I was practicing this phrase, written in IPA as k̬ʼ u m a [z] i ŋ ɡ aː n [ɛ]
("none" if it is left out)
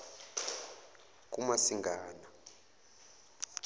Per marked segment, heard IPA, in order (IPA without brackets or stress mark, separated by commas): s, a